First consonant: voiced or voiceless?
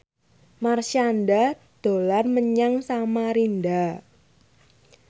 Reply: voiced